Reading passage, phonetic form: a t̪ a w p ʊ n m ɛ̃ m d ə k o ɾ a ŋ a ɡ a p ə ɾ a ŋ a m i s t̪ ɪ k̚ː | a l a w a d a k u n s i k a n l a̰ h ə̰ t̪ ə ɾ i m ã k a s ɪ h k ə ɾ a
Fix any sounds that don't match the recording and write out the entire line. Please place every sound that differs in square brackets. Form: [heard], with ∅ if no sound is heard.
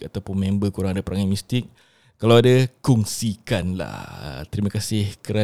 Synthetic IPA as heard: a t̪ a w p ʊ n m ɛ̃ m [b] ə k [u] ɾ a ŋ a [d] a p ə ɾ a ŋ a m i s t̪ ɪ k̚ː | a l a w a d a k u [ŋ] s i k a n l a̰ h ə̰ t̪ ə ɾ i m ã k a s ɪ h k ə ɾ a